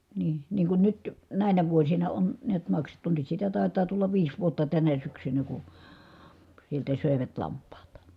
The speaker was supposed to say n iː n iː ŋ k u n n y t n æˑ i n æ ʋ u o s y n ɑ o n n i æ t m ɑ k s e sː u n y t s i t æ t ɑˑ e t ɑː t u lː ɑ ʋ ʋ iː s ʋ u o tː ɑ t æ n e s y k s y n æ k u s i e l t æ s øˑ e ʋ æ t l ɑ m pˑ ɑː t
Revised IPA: n iː n iː ŋ k u n n y t n æˑ i n æ ʋ u o s i n ɑ o n n i æ t m ɑ k s e tː u n y t s i t æ t ɑˑ e t ɑː t u lː ɑ ʋ ʋ iː s ʋ u o tː ɑ t æ n æ s y k s y n æ k u s i e l t æ s øˑ e ʋ æ t l ɑ m pˑ ɑː t